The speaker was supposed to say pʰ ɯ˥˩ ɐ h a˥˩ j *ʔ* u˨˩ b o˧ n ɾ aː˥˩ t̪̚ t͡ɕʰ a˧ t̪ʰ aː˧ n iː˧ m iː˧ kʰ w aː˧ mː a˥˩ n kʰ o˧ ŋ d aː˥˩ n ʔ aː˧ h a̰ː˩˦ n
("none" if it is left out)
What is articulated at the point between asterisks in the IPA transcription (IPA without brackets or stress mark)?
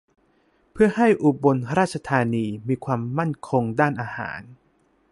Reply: ʔ